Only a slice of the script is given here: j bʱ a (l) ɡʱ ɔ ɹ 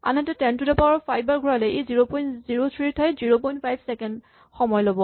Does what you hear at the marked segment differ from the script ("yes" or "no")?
yes